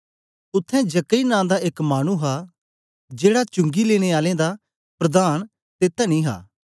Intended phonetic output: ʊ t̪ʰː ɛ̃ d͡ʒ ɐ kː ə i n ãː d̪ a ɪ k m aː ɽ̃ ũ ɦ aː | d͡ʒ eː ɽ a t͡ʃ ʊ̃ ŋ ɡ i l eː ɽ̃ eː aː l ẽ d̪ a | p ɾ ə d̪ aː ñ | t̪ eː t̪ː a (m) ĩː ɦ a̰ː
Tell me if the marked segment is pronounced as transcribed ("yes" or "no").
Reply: no